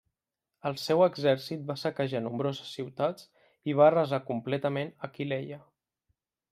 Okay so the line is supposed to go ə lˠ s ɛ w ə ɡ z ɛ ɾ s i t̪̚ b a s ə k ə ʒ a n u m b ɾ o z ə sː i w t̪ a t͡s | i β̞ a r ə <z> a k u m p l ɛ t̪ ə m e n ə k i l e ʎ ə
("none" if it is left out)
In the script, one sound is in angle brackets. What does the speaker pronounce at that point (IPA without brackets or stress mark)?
z